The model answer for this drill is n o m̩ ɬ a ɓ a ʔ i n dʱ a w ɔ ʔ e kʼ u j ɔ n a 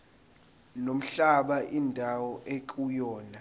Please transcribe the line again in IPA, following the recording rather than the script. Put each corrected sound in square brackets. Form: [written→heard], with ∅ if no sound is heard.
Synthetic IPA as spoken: n o m̩ ɬ a ɓ a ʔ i n dʱ a w ɔ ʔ e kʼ u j [ɔ→ɔː] n a